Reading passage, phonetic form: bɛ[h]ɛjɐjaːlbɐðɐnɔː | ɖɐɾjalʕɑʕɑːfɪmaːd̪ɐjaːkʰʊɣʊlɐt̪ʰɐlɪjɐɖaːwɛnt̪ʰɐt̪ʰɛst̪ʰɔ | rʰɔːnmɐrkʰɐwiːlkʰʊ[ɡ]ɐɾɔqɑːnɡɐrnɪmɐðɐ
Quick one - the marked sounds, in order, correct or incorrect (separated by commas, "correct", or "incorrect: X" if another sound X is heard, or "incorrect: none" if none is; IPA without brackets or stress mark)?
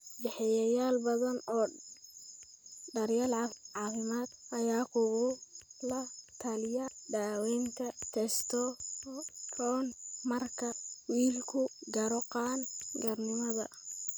incorrect: ħ, correct